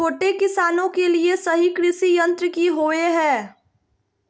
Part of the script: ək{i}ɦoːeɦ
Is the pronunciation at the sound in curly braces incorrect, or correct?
correct